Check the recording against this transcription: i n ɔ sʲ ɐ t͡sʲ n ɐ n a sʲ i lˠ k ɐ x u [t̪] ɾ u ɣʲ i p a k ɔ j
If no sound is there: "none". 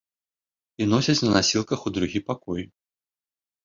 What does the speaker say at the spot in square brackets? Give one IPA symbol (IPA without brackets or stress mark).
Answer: d̪